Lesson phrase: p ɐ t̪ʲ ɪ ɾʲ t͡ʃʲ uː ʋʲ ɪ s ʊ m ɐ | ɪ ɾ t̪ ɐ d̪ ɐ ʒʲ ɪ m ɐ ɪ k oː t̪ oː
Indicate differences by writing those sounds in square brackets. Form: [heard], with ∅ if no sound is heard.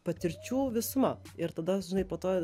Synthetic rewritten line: p ɐ t̪ʲ ɪ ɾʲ t͡ʃʲ uː ʋʲ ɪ s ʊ m ɐ | ɪ ɾ t̪ ɐ d̪ ɐ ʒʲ ɪ [n] ɐ ɪ [p] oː t̪ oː